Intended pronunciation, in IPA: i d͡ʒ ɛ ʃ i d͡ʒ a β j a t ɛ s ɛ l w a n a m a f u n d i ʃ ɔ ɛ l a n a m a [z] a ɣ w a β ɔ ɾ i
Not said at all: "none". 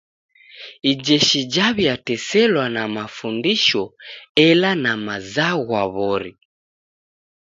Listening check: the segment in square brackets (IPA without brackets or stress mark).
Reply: z